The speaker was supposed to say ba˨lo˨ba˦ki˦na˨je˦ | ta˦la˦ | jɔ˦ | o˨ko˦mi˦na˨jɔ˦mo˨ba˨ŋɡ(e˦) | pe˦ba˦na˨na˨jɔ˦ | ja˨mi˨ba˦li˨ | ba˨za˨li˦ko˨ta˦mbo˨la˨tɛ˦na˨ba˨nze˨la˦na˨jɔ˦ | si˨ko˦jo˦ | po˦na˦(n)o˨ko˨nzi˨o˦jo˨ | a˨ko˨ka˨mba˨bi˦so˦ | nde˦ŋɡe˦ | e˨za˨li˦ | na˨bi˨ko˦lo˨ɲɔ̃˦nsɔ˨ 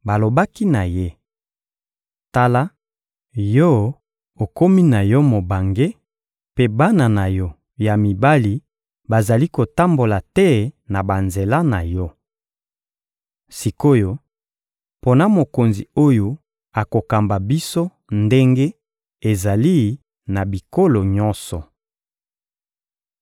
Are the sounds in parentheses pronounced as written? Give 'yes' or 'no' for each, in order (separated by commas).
yes, no